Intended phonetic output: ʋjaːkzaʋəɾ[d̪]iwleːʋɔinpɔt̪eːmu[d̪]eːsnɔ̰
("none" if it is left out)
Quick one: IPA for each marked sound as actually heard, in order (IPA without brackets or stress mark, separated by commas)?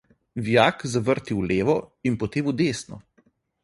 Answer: t̪, d̪